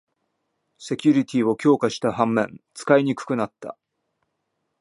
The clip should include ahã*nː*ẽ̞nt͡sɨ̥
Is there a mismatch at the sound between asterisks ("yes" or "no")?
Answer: yes